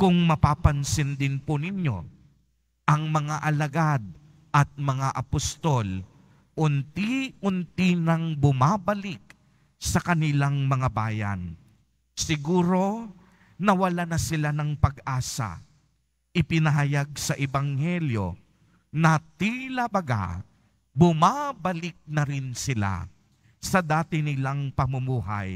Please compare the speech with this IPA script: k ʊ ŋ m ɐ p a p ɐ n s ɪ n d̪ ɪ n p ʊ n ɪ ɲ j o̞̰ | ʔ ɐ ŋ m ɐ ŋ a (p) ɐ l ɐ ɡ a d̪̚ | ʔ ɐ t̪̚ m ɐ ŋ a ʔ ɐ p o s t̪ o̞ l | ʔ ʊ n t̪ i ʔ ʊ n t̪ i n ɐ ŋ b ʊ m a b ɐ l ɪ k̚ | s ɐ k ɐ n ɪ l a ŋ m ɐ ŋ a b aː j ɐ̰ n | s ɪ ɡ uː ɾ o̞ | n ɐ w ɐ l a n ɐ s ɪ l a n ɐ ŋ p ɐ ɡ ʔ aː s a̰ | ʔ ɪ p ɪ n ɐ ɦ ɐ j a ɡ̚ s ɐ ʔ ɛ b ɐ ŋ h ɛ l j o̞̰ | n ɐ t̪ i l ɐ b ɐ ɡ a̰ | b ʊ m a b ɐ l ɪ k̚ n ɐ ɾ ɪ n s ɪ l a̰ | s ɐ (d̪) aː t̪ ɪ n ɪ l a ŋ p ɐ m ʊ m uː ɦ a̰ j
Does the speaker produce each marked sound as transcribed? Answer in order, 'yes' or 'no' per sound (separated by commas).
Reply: no, yes